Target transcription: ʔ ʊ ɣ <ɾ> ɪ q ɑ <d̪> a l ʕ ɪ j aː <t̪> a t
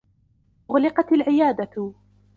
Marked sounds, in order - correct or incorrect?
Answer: incorrect, incorrect, incorrect

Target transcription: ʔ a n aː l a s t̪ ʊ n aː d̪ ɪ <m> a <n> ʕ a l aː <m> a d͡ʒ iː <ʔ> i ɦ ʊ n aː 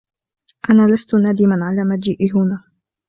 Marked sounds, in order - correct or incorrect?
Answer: correct, correct, correct, correct

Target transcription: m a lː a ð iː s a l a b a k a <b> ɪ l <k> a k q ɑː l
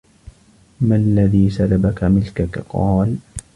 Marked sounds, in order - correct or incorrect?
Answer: incorrect, correct

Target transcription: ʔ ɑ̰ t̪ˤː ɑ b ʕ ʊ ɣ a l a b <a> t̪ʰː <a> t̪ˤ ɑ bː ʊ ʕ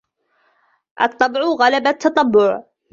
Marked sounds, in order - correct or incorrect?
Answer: correct, incorrect

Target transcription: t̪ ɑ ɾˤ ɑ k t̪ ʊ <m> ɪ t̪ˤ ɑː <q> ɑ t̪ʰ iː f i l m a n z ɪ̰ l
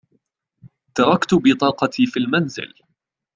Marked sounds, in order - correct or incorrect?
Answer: incorrect, correct

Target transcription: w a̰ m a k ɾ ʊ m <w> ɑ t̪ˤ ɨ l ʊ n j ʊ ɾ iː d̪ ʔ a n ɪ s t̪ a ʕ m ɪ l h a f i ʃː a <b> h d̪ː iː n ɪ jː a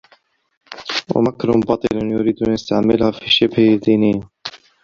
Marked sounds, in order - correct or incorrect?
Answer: incorrect, correct

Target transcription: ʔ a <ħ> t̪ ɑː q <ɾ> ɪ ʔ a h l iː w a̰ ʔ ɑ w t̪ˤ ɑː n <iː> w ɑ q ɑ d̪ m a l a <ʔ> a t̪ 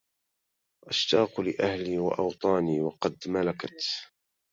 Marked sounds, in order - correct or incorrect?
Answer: incorrect, incorrect, correct, incorrect

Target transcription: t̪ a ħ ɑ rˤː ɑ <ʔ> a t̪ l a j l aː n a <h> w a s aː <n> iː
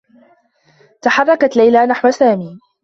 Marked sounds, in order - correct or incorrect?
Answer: incorrect, incorrect, incorrect

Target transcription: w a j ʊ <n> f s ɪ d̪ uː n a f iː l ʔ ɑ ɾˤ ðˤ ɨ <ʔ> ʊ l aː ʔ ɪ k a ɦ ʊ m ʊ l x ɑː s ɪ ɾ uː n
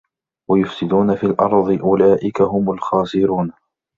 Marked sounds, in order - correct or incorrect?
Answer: incorrect, correct

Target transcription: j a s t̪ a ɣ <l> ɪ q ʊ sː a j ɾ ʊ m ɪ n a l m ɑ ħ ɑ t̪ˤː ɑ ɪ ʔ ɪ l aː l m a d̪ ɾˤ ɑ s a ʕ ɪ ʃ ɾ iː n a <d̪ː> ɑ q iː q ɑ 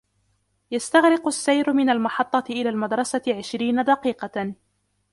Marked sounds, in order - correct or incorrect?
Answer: incorrect, incorrect

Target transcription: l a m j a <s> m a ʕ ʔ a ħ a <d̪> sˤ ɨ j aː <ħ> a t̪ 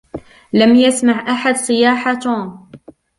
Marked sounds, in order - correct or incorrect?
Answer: correct, correct, correct

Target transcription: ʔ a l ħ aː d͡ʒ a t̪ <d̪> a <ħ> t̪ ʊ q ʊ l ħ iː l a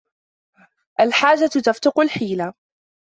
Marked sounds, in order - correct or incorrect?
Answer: incorrect, incorrect

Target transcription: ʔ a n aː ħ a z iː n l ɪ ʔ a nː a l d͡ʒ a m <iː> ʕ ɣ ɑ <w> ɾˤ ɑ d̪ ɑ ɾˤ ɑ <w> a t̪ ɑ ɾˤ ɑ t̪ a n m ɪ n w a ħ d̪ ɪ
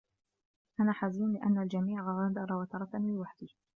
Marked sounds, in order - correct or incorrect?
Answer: correct, incorrect, correct

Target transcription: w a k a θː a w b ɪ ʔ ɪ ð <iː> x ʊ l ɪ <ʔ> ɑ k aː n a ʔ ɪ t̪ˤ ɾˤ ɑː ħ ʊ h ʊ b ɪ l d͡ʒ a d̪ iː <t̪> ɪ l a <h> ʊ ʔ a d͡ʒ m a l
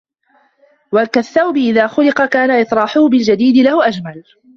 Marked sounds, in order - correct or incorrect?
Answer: incorrect, incorrect, incorrect, correct

